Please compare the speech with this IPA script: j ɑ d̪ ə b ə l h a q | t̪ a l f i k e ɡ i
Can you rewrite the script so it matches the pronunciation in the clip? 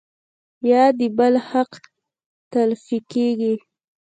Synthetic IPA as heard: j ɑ d̪ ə b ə l h a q | t̪ a l f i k e ɡ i